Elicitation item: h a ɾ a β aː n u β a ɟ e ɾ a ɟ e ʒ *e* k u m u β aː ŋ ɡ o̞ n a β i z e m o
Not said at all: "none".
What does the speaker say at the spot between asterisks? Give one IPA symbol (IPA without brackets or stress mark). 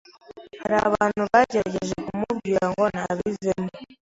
e